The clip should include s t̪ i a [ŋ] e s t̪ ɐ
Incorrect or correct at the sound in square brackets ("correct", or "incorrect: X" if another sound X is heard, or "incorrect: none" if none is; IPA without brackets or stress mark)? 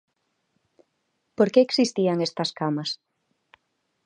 correct